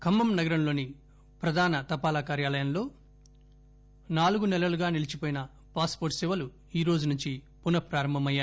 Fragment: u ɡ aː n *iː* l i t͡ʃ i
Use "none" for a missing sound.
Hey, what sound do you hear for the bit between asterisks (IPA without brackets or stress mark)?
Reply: i